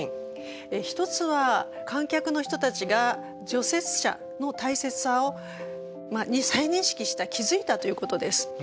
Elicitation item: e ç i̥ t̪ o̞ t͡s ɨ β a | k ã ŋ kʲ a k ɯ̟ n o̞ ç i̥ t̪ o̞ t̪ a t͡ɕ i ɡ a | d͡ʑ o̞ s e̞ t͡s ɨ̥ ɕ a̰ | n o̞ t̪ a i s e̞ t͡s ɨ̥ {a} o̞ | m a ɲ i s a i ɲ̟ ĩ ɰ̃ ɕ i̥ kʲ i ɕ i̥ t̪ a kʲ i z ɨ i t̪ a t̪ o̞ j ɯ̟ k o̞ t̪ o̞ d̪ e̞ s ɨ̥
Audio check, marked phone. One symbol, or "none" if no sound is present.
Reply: a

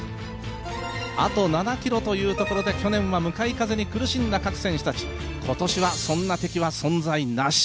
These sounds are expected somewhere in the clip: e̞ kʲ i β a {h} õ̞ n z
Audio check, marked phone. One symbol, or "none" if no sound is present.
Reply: s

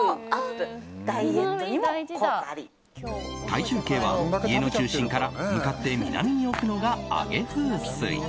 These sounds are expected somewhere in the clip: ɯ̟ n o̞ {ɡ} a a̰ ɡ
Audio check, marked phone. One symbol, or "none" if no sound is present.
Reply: ɡ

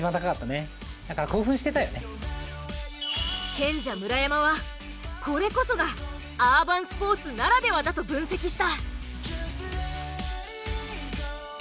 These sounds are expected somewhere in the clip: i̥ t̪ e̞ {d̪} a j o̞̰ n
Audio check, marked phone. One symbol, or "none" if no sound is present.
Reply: t̪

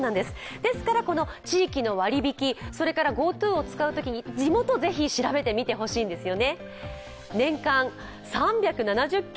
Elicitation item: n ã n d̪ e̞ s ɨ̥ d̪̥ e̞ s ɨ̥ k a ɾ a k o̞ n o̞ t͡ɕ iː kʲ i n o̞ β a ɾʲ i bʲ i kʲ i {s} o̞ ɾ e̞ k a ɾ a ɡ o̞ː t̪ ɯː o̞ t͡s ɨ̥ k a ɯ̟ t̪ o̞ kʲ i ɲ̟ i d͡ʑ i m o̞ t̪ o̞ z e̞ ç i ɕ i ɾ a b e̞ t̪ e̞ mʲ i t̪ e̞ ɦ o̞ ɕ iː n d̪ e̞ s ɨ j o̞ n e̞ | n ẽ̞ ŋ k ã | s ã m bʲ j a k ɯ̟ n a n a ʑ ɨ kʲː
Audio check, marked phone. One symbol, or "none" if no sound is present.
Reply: s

